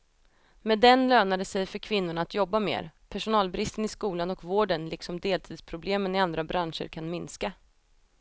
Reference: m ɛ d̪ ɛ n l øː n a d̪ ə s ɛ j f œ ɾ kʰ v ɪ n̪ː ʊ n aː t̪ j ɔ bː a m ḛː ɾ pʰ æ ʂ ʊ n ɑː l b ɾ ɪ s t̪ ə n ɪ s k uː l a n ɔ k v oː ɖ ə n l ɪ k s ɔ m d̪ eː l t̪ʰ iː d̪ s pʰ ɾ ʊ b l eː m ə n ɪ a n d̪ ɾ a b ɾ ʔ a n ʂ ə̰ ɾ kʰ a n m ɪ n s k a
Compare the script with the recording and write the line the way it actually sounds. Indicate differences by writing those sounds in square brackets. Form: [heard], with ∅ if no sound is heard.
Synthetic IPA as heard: m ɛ d̪ ɛ n l øː n a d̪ ə s ɛ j f œ ɾ kʰ v ɪ n̪ː ʊ [ɳ] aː t̪ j ɔ bː a m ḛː ɾ pʰ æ ʂ ʊ n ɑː l b ɾ ɪ s t̪ ə n ɪ s k uː l a n ɔ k v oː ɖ ə n l ɪ k s ɔ m d̪ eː l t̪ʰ iː d̪ s pʰ ɾ ʊ b l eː m ə n ɪ a n d̪ ɾ a b ɾ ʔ a n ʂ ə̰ ɾ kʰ a n m ɪ n s k a